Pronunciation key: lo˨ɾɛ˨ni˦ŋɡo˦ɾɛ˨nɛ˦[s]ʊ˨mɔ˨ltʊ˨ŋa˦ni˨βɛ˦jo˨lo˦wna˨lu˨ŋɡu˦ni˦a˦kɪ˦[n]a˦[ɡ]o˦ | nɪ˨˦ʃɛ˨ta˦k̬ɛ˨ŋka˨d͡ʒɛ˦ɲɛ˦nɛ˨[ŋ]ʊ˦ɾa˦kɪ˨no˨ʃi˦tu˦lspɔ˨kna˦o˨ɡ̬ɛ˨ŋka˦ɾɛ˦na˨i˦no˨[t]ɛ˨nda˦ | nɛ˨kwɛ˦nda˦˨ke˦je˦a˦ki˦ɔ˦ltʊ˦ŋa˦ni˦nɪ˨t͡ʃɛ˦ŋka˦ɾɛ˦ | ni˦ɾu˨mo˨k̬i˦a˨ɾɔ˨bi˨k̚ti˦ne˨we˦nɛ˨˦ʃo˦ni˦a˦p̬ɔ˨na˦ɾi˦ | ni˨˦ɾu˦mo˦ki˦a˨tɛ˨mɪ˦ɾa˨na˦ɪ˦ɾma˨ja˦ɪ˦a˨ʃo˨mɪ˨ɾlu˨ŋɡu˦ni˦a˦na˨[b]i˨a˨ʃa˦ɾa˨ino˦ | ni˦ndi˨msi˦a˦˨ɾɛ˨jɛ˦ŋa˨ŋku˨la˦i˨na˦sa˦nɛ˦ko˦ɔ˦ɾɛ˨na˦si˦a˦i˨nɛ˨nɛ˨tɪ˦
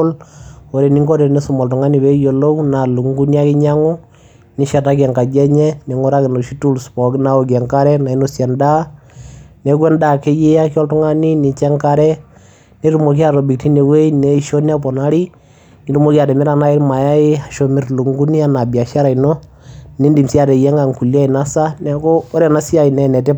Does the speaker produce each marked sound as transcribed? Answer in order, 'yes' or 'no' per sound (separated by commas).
yes, no, no, yes, no, yes